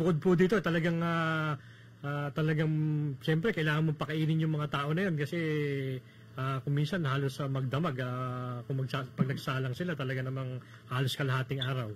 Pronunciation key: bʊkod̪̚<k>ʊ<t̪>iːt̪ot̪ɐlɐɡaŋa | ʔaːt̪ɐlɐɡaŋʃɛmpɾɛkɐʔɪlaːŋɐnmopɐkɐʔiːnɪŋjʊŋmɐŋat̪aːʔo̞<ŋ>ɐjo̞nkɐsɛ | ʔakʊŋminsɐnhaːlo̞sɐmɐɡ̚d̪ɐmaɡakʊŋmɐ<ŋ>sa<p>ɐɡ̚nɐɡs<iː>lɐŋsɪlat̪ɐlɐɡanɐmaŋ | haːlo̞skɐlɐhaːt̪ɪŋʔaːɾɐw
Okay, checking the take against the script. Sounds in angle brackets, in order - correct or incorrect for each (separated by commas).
incorrect, incorrect, incorrect, incorrect, correct, incorrect